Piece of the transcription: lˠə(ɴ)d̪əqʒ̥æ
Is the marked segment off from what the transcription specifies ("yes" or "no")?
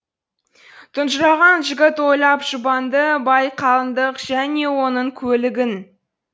yes